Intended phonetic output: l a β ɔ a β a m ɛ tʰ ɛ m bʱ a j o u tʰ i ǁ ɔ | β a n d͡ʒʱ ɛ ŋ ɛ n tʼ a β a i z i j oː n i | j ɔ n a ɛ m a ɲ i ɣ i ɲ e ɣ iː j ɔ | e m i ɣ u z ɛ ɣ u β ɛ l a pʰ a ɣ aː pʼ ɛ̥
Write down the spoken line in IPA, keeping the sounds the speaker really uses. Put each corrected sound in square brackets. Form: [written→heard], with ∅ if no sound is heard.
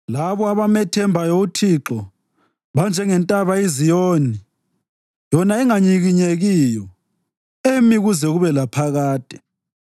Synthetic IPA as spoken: l a β ɔ a β a m ɛ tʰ ɛ m bʱ a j o u tʰ i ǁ ɔ | β a n d͡ʒʱ ɛ ŋ ɛ n tʼ a β a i z i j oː n i | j ɔ n a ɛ [m→ŋ] a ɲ i ɣ i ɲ e ɣ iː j ɔ | e m i ɣ u z ɛ ɣ u β ɛ l a pʰ a ɣ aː [pʼ→tʼ] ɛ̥